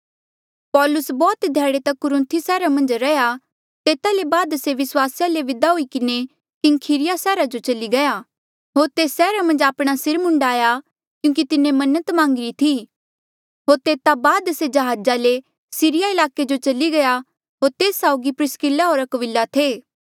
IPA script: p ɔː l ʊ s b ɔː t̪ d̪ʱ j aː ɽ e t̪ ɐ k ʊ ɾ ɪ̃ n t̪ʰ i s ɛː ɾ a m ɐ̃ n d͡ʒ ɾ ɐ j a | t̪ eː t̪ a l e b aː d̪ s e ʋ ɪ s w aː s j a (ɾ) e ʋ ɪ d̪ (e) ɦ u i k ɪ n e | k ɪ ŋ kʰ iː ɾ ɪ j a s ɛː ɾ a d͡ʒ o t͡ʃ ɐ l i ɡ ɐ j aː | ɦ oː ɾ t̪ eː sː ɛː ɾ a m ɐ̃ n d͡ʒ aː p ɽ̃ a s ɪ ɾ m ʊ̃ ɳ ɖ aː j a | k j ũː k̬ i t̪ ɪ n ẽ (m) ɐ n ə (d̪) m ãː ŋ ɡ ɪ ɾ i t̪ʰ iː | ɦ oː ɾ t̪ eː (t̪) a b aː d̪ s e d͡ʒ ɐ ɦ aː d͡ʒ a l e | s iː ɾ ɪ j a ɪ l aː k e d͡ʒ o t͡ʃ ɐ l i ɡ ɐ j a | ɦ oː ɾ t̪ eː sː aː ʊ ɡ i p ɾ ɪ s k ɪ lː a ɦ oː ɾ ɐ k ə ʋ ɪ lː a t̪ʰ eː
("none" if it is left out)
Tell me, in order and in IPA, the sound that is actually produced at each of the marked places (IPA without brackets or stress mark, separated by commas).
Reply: l, a, m, t̪, t̪